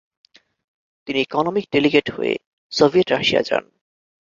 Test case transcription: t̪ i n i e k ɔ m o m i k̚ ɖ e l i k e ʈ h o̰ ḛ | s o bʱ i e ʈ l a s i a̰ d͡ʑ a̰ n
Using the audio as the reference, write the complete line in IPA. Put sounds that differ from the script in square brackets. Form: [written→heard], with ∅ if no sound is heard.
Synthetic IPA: t̪ i n i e k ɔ [m→n] o m i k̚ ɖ e l i [k→ɡ] e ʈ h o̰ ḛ | s o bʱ i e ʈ [l→ɾ] a [s→ʃ] i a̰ d͡ʑ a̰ n